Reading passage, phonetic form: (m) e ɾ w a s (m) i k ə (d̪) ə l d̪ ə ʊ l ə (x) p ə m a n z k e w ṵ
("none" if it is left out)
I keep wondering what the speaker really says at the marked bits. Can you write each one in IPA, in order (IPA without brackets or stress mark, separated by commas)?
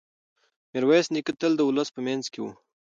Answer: m, n, t̪, s